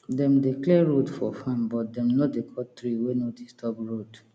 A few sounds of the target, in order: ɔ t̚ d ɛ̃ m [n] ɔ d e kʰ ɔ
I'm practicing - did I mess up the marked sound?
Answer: no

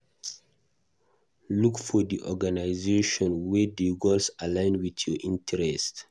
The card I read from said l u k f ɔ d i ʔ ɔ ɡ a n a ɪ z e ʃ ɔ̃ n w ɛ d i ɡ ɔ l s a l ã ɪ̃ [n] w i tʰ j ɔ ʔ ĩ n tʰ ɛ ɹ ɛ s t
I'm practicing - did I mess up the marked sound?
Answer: no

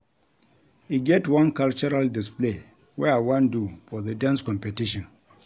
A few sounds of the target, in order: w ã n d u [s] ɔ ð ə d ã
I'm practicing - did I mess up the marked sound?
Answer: yes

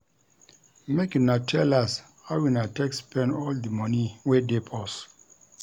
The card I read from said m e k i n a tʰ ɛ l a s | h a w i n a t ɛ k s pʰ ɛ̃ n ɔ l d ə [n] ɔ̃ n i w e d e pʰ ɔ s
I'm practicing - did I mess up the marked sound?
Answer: yes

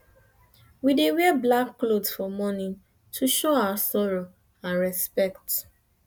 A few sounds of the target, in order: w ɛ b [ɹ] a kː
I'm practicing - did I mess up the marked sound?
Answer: yes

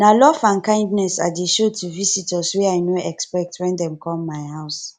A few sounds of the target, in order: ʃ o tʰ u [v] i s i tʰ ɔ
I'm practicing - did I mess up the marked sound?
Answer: no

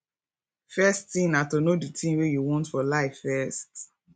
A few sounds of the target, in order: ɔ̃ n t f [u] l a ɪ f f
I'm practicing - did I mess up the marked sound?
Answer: yes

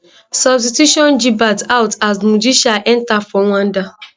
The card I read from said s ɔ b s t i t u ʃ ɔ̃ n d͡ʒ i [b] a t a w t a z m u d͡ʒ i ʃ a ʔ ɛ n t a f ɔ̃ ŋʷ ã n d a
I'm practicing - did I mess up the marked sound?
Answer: no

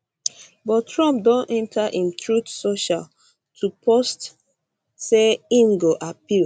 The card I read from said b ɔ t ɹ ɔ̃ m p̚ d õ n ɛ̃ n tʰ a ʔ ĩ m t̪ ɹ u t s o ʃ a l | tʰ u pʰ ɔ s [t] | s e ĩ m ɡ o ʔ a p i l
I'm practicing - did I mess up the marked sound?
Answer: no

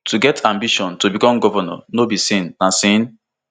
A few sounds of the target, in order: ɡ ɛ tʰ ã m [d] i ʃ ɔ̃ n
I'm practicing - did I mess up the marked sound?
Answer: yes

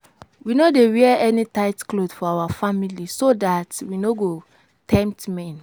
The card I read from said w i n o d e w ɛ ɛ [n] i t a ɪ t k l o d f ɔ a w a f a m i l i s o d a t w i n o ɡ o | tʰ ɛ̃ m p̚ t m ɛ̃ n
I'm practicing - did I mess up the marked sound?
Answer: no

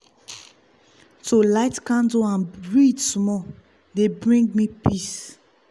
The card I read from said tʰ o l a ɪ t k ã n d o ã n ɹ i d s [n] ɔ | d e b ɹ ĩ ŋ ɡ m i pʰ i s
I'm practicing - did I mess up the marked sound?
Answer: yes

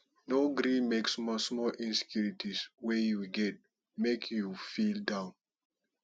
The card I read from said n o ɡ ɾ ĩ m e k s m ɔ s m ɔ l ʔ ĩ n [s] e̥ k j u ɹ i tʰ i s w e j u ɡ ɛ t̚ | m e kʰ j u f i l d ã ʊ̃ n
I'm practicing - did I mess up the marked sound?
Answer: no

